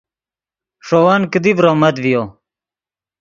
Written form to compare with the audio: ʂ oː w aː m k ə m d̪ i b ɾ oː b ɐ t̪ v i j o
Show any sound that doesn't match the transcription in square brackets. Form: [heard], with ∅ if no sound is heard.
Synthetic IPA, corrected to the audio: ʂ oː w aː [n] k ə [∅] d̪ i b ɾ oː [m] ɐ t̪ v i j o